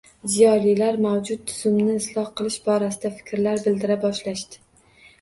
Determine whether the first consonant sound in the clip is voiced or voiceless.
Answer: voiced